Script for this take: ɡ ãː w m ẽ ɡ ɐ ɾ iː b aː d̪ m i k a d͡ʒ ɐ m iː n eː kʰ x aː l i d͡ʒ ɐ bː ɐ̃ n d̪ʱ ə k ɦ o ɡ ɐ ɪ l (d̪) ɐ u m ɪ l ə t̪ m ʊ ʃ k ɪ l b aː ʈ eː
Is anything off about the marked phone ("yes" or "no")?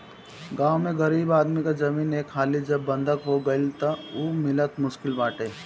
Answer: yes